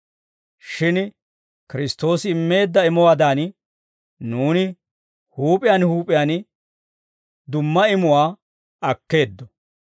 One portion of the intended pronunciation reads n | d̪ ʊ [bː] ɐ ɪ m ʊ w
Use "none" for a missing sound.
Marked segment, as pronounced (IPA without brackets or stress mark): mː